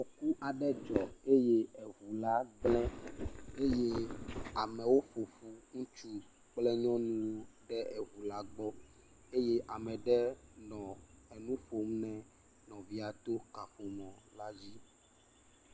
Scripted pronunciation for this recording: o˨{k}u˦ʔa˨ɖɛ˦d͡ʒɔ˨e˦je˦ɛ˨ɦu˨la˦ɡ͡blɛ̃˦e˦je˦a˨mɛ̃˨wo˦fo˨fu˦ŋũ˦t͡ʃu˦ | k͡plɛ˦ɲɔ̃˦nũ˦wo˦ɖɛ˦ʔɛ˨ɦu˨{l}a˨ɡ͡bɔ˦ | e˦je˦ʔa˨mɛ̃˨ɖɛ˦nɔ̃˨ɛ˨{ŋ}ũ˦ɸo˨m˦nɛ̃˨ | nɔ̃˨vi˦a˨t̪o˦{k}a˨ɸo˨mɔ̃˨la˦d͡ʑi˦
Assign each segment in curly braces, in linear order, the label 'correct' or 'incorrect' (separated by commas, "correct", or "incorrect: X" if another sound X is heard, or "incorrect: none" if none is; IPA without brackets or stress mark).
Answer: correct, correct, incorrect: n, correct